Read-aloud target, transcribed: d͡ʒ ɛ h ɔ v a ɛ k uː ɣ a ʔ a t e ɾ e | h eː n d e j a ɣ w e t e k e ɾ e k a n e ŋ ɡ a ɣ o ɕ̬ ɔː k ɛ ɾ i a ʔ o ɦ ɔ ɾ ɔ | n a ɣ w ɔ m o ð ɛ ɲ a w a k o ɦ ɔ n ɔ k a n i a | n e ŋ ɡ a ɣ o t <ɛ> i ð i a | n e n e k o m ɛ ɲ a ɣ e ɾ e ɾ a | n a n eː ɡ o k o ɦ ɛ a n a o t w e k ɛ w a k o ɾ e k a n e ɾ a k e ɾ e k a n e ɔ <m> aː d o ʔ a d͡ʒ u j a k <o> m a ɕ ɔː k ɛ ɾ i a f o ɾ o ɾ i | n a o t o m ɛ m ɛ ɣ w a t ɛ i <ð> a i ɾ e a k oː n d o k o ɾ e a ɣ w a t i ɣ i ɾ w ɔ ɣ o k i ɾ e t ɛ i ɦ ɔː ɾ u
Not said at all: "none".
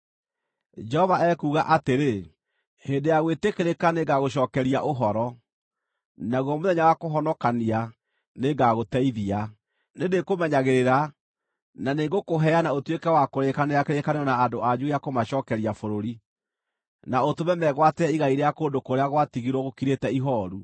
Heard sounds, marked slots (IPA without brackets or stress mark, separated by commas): ɛ, n, o, ɣ